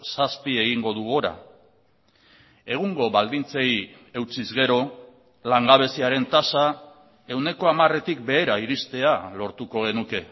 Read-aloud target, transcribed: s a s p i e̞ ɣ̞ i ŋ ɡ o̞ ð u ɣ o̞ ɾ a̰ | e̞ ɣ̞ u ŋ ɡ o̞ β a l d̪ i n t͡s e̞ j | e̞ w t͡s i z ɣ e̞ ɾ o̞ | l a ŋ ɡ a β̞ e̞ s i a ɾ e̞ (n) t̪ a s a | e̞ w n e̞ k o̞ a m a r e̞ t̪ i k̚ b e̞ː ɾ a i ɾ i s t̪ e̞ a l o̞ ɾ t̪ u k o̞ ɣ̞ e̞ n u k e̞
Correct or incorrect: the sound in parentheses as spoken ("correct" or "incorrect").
correct